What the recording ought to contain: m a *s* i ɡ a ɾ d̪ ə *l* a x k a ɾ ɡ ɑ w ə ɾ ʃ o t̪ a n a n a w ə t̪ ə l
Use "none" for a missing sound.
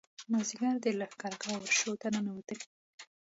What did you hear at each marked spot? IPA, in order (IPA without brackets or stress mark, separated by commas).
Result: z, l